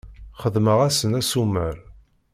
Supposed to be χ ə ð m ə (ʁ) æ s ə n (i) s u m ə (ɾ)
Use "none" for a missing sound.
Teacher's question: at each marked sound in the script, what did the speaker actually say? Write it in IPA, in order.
ʁ, æ, ɾ

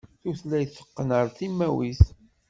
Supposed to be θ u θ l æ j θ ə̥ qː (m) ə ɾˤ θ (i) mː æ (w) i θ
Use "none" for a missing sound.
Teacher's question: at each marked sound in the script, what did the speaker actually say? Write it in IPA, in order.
n, i, w

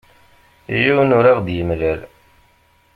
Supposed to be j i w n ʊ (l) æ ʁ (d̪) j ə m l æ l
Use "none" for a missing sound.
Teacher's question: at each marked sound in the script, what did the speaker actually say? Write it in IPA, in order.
ɾ, d̪

